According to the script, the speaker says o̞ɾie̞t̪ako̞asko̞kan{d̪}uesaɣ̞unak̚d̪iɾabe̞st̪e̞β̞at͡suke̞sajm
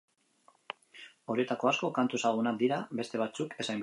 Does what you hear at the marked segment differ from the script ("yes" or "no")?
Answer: yes